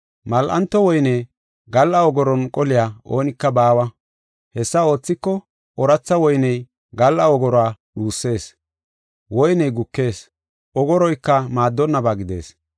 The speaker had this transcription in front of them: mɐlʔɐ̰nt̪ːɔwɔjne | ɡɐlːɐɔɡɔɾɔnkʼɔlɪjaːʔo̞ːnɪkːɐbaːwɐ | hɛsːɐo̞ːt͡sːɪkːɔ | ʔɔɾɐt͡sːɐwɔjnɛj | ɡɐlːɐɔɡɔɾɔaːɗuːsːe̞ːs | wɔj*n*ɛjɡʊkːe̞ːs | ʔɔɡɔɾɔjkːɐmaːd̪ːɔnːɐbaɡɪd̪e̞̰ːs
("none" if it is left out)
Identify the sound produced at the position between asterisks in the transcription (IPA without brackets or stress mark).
n